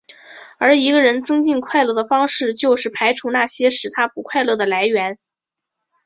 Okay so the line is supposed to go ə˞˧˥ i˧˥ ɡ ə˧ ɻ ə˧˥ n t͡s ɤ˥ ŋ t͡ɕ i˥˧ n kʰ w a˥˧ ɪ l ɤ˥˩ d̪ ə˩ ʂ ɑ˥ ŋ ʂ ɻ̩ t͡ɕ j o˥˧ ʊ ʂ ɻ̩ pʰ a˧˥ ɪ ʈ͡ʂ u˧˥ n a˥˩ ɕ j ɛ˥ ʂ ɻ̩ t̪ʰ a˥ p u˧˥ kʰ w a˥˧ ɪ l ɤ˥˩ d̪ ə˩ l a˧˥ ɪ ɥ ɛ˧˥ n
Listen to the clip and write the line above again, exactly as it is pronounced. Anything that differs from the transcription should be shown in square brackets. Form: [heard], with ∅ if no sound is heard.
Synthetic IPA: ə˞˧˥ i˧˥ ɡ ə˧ ɻ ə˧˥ n t͡s ɤ˥ ŋ t͡ɕ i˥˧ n kʰ w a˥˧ ɪ l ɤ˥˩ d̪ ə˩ [f] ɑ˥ ŋ ʂ ɻ̩ t͡ɕ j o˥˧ ʊ ʂ ɻ̩ pʰ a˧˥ ɪ [ʈ͡ʂʰ] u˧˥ n a˥˩ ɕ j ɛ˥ ʂ ɻ̩ t̪ʰ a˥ p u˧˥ kʰ w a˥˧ ɪ l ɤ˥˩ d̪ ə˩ l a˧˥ ɪ ɥ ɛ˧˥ n